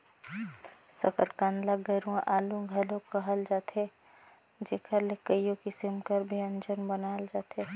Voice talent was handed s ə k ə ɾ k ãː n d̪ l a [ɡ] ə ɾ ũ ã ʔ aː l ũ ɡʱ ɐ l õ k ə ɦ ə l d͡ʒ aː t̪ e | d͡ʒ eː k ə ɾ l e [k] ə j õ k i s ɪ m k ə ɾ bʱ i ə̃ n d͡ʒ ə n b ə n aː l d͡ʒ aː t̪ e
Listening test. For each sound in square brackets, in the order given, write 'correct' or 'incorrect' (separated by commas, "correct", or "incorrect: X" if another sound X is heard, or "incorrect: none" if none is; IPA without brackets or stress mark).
correct, correct